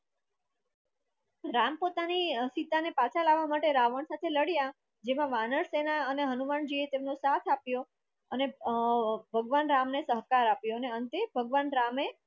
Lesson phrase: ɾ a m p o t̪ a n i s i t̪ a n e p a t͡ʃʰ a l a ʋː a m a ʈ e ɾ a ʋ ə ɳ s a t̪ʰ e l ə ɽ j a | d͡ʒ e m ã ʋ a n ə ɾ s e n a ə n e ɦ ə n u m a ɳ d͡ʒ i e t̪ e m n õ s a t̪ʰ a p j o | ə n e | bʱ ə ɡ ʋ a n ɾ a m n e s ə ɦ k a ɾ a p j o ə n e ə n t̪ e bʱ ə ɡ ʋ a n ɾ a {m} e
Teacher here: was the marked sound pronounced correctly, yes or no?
yes